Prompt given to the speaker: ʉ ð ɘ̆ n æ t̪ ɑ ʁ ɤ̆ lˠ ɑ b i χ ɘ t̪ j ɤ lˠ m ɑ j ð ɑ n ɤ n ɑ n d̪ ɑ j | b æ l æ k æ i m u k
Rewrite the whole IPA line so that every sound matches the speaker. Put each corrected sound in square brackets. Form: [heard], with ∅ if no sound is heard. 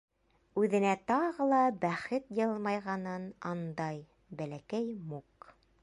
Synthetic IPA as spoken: ʉ ð ɘ̆ n æ t̪ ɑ ʁ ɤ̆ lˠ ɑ b [æ] χ ɘ t̪ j ɤ lˠ m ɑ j [ʁ] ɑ n ɤ n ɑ n d̪ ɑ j | b æ l æ k æ [j] m u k

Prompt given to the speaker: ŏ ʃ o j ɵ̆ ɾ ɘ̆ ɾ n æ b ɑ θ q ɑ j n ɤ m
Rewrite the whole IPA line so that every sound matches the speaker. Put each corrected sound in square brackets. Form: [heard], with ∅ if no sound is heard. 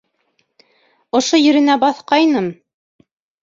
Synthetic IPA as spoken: ŏ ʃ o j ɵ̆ ɾ ɘ̆ [∅] n æ b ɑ θ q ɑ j n ɤ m

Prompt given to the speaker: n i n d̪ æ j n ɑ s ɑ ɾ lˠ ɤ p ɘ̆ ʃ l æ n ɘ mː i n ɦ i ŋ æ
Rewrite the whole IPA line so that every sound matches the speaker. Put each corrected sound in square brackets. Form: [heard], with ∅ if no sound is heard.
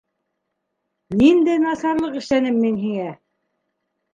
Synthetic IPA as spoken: n i n d̪ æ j n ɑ s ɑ ɾ lˠ ɤ [q] ɘ̆ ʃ l æ n ɘ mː i n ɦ i ŋ æ

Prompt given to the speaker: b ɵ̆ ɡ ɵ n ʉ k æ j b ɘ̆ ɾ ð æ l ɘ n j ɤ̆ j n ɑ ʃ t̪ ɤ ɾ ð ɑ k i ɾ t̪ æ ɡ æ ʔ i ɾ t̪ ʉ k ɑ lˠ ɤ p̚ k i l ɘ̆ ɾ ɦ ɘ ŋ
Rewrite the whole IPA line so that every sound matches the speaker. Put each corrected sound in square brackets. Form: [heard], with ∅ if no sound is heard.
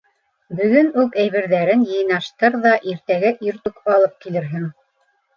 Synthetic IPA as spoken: b ɵ̆ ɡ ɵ n ʉ k æ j [β] ɘ̆ ɾ ð æ [ɾ] ɘ n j ɤ̆ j n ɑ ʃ t̪ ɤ ɾ ð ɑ [ʔ] i ɾ t̪ æ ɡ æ ʔ i ɾ t̪ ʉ k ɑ lˠ ɤ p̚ k i l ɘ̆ ɾ ɦ ɘ ŋ

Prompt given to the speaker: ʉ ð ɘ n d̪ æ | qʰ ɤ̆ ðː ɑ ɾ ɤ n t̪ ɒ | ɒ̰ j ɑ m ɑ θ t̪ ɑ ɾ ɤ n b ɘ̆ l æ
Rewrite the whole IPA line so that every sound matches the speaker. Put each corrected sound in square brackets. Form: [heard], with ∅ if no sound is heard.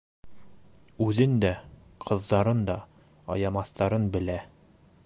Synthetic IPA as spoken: ʉ ð ɘ n d̪ æ | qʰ ɤ̆ ðː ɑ ɾ ɤ n [d̪] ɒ | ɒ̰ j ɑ m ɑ θ t̪ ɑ ɾ ɤ n b ɘ̆ l æ

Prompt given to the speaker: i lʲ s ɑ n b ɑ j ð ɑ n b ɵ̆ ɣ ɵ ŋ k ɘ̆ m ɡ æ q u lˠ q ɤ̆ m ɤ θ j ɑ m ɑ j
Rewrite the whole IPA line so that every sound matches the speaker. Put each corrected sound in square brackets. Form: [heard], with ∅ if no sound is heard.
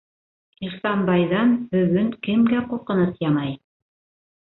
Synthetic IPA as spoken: i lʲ s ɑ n b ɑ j ð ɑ n b ɵ̆ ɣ ɵ ŋ k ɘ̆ m ɡ æ q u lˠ q ɤ̆ [n] ɤ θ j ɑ m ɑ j

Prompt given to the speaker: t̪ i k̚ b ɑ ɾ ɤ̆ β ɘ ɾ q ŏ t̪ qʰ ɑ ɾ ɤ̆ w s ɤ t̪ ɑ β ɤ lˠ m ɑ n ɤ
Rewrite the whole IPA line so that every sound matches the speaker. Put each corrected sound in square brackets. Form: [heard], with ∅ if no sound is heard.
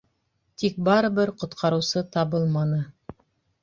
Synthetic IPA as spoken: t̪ i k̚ b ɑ ɾ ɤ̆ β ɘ ɾ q ŏ t̪ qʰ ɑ ɾ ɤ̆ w s ɤ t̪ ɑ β ɤ lˠ m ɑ n ɤ

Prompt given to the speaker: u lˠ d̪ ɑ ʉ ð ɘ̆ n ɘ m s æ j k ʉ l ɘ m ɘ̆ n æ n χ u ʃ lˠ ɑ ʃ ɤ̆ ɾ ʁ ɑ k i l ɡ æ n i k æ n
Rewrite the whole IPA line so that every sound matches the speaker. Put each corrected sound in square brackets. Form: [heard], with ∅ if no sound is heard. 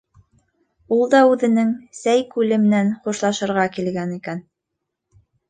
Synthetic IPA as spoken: u lˠ d̪ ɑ ʉ ð ɘ̆ n ɘ [ŋ] s æ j k ʉ l ɘ m ɘ̆ n æ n χ u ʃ lˠ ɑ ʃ ɤ̆ ɾ ʁ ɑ k i l ɡ æ n i k æ n

